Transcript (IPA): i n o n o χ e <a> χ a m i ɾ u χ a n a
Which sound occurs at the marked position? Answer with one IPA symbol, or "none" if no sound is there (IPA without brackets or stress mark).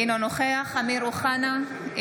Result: a